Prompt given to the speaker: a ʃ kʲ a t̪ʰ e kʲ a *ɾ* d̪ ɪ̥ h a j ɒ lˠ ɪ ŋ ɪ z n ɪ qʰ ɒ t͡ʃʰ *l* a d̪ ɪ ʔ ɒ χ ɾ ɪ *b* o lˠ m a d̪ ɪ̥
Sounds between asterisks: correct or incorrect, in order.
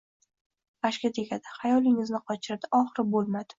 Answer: incorrect, incorrect, correct

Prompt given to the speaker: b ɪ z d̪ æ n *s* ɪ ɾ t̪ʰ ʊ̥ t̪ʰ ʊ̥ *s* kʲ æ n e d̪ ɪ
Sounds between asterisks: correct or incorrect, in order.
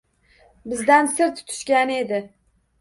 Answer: correct, incorrect

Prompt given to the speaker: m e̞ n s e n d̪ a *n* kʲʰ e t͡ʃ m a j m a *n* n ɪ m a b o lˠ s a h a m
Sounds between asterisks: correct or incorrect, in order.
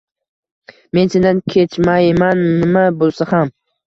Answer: correct, correct

